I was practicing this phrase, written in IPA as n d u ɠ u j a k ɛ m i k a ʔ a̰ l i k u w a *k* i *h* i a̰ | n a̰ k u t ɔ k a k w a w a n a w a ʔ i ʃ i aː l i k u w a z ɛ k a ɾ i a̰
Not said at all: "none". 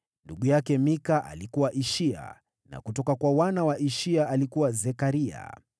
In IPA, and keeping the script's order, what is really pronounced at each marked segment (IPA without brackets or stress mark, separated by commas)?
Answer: ʔ, ʃ